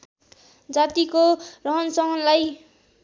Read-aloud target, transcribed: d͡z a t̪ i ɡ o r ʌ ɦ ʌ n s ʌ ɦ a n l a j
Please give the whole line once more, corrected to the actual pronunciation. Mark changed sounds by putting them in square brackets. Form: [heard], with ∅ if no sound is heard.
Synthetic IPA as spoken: d͡z a t̪ i [k] o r ʌ ɦ ʌ n s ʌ ɦ [ʌ] n l a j